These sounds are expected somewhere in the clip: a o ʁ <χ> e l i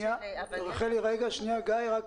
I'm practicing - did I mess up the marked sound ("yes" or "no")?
no